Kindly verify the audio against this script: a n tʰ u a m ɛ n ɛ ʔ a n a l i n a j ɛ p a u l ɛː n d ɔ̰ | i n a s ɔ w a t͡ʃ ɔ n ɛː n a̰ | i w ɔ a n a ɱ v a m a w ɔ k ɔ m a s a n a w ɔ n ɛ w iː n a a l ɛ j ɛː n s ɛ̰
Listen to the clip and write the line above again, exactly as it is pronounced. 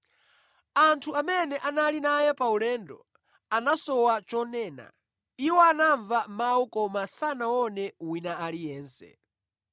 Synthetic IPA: a n tʰ u a m ɛ n ɛ ʔ a n a l i n a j ɛ p a u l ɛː n d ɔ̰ | a n a s ɔ w a t͡ʃ ɔ n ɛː n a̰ | i w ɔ a n a ɱ v a m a w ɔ k ɔ m a s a n a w ɔ n ɛ w i n a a l i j ɛː n s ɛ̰